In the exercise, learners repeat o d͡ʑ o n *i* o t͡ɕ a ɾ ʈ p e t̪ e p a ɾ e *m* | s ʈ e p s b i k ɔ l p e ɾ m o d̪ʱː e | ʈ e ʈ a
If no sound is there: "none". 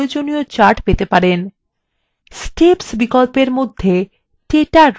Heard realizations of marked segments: i, n

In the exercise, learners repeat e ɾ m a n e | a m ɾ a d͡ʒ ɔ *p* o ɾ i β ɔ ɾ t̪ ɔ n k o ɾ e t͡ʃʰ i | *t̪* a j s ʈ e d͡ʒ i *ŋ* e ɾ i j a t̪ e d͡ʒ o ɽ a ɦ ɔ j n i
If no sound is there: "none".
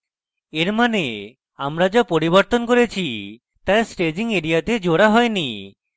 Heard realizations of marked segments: p, t̪, ŋ

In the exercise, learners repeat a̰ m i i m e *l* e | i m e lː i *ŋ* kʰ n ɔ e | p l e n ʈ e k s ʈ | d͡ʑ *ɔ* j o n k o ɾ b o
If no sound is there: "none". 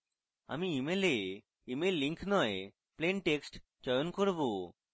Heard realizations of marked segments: l, ŋ, ɔ

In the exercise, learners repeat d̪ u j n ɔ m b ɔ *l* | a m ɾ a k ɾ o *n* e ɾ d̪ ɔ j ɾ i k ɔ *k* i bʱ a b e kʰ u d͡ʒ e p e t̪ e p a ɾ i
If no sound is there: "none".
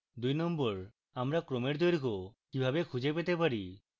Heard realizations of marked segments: ɾ, m, k

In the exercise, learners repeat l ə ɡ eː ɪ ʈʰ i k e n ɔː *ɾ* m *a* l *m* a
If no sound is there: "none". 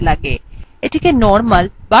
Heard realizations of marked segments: ɾ, ə, b

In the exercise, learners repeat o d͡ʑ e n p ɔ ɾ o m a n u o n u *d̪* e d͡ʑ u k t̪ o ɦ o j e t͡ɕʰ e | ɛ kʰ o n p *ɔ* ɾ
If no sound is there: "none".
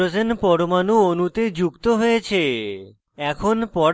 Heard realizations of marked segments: t̪, ɔ

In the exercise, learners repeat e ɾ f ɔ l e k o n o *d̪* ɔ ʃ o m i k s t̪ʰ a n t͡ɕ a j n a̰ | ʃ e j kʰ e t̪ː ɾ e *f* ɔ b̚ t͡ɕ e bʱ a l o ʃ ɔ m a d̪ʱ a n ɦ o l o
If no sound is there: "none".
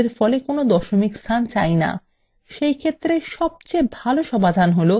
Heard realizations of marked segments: d̪, ʃ

